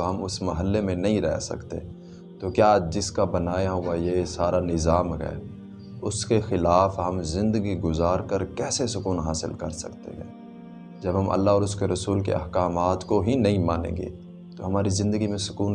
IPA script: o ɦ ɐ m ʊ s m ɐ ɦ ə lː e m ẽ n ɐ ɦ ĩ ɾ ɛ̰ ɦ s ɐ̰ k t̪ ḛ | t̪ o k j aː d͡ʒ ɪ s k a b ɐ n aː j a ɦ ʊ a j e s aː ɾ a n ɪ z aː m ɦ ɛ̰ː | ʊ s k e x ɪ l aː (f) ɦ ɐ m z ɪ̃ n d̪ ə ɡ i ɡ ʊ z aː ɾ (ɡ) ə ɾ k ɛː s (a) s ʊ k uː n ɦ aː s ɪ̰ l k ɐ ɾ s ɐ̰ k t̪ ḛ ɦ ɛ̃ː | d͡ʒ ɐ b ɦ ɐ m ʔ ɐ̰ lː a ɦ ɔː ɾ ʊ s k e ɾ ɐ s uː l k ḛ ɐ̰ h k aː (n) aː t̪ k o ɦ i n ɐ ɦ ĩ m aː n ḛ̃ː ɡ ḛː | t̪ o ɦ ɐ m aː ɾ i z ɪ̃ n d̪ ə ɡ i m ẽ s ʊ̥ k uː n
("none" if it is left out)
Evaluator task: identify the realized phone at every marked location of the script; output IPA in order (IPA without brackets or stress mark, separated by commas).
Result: f, k, e, m